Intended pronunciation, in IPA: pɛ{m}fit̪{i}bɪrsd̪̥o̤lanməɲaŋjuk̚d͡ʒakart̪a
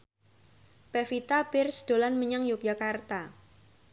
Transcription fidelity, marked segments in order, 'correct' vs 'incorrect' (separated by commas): incorrect, incorrect